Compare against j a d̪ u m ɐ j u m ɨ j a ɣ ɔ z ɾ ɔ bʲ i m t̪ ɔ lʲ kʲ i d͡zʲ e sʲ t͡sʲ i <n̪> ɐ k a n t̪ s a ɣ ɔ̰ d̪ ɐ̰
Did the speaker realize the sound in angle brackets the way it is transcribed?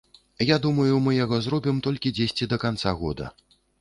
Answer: no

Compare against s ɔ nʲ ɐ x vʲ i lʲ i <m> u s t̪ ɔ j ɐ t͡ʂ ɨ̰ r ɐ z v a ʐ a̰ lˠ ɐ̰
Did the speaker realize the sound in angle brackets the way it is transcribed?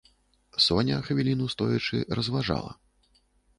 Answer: no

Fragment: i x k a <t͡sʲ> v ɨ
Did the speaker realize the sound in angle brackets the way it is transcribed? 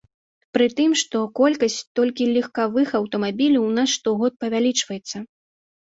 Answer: no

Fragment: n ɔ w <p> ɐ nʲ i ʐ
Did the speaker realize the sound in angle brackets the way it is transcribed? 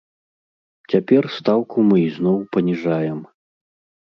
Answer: yes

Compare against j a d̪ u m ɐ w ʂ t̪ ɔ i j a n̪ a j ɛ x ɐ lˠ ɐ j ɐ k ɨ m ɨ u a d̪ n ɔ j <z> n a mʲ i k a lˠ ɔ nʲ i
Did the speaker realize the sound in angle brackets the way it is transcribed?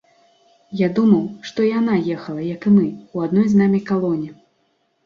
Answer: yes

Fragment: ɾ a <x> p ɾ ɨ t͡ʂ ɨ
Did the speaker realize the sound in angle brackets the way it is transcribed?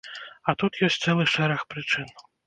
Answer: yes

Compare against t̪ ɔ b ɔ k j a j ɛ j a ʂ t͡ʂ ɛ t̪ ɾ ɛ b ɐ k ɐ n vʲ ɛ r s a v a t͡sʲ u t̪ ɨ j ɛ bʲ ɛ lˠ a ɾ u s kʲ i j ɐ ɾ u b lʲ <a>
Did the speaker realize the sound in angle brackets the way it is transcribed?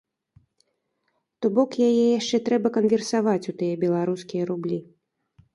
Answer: no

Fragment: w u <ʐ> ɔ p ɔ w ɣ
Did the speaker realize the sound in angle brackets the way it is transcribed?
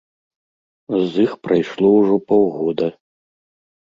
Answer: yes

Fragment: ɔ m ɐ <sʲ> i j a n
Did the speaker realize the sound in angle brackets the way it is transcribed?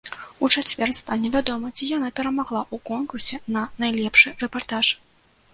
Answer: no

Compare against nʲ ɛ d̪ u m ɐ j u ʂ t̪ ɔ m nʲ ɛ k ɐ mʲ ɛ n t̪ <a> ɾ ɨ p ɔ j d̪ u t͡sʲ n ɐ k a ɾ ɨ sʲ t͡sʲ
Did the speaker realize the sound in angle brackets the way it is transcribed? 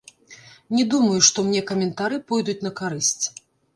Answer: yes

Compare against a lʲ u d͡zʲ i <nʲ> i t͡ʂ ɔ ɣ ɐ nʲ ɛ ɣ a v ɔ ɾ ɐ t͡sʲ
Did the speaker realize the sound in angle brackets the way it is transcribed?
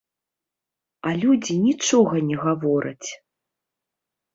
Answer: yes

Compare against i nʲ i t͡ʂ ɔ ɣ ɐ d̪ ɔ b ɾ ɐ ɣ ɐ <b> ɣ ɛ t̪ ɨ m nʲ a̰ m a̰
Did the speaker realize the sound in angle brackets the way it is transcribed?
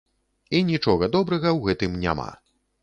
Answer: no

